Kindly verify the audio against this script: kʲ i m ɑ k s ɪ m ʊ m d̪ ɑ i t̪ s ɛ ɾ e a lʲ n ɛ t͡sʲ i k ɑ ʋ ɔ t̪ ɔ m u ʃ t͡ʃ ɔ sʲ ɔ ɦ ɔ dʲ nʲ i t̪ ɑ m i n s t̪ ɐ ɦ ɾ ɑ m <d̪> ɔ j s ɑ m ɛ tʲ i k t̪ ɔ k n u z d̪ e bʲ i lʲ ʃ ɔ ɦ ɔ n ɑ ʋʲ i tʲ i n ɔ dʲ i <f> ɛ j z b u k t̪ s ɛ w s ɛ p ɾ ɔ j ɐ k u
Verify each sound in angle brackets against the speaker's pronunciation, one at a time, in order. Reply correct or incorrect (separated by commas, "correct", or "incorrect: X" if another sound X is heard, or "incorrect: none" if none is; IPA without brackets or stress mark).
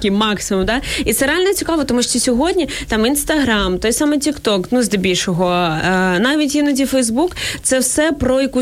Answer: incorrect: t̪, correct